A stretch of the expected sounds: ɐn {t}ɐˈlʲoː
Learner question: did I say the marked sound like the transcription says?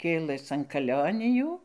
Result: no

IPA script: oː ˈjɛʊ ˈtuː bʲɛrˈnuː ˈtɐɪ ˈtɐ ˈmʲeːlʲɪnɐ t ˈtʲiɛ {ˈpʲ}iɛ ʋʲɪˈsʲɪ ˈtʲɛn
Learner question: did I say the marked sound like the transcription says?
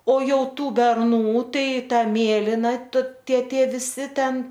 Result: no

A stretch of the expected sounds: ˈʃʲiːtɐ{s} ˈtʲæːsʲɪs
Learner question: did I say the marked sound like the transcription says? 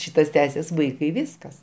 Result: yes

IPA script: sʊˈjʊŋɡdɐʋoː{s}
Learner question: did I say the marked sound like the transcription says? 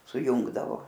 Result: no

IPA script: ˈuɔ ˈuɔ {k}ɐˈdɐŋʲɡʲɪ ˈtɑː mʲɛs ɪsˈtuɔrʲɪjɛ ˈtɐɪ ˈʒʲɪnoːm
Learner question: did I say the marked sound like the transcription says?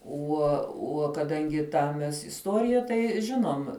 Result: yes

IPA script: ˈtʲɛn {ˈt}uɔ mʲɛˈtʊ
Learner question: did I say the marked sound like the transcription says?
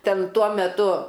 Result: yes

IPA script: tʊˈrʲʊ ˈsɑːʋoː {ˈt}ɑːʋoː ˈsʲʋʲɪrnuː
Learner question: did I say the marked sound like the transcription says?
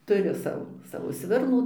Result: no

